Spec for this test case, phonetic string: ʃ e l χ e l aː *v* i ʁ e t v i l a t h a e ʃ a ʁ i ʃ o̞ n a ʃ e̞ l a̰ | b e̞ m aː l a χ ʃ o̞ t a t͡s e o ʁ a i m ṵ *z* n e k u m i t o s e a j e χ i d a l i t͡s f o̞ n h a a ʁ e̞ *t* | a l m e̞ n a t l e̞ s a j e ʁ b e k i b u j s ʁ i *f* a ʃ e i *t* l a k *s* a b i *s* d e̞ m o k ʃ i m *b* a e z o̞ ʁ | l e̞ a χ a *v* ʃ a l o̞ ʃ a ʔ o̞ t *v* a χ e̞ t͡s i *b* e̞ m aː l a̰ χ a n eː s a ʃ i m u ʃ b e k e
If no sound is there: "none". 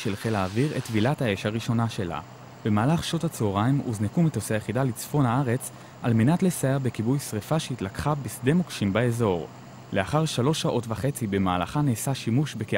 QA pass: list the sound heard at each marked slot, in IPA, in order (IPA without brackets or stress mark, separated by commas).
v, z, t͡s, f, t, χ, s, b, ʁ, v, b